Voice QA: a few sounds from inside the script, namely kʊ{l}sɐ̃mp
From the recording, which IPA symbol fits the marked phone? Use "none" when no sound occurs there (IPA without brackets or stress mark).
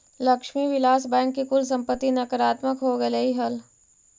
l